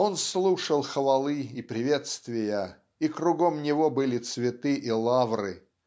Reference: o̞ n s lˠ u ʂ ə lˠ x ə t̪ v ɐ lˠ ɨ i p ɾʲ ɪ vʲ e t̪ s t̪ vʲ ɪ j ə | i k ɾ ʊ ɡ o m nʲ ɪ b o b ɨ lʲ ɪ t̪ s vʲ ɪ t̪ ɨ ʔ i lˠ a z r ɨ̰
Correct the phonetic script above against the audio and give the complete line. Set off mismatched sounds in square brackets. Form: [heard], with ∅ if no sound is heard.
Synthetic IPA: o̞ n s lˠ u ʂ ə lˠ x ə [∅] v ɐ lˠ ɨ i p ɾʲ ɪ vʲ e t̪ s t̪ vʲ ɪ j ə | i k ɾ ʊ ɡ o m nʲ ɪ [v] o b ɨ lʲ ɪ t̪ s vʲ ɪ t̪ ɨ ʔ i lˠ a [v] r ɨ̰